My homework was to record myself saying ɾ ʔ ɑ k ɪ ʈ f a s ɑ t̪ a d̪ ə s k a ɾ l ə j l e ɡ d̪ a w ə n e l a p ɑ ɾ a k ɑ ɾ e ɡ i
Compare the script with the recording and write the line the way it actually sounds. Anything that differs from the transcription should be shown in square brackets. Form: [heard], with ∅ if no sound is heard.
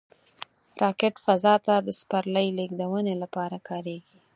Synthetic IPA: ɾ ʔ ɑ k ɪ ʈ f a [z] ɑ t̪ a d̪ ə s [p] a ɾ l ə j l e ɡ d̪ a w ə n e l a p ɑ ɾ a k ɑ ɾ e ɡ i